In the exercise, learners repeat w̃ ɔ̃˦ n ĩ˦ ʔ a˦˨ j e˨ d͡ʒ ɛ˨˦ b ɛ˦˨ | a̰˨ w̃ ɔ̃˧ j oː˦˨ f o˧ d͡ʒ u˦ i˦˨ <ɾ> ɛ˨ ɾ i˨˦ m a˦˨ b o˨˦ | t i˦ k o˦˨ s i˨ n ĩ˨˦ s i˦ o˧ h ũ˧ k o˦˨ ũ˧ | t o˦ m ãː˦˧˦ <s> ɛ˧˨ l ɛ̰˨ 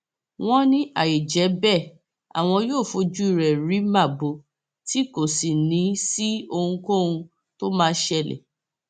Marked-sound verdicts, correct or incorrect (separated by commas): correct, incorrect